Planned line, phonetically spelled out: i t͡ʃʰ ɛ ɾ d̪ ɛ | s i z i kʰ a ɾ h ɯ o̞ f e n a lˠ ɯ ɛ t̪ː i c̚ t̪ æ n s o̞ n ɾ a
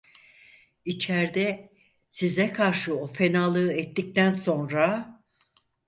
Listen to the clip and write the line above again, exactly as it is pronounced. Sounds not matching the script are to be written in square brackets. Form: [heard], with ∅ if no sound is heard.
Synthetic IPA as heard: i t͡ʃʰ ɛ ɾ d̪ ɛ | s i z [ɛ] kʰ a ɾ [ʃ] ɯ o̞ f e n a lˠ ɯ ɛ t̪ː i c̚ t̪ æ n s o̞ n ɾ a